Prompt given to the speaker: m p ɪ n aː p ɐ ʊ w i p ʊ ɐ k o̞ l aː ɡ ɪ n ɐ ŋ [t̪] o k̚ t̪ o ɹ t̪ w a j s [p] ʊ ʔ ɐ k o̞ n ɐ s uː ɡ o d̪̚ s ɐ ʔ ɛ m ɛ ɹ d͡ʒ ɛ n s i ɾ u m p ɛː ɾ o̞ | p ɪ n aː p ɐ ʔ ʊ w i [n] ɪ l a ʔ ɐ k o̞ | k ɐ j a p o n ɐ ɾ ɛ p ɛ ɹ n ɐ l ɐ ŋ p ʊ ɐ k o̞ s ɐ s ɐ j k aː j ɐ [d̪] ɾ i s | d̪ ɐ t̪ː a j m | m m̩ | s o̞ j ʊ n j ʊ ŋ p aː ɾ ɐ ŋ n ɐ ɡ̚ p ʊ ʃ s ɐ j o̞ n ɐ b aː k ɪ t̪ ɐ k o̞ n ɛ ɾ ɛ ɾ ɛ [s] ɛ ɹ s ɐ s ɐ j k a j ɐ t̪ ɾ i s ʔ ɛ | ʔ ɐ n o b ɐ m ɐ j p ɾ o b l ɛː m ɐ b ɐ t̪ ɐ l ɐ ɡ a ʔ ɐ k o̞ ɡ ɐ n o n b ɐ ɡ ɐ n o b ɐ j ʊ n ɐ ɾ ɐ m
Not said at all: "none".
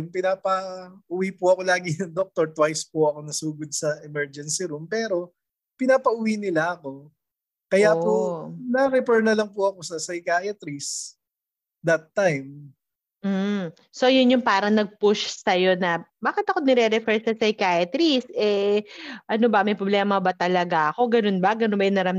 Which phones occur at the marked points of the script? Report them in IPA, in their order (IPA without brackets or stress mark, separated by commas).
d̪, p, n, t̪, f